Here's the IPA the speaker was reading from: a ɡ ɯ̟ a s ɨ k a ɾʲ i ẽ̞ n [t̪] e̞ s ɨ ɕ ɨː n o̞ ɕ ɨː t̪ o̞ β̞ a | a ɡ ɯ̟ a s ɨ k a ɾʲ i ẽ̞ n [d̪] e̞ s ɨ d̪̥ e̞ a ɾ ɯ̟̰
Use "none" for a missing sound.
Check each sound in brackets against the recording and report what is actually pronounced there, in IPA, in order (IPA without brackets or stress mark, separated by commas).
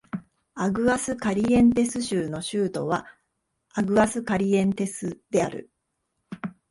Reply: t̪, t̪